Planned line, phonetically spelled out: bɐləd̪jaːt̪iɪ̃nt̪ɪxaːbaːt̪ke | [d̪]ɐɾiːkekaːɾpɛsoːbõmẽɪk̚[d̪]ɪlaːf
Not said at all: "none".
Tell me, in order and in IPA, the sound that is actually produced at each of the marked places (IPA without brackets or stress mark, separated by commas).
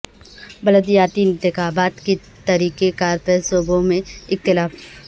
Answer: t̪, t̪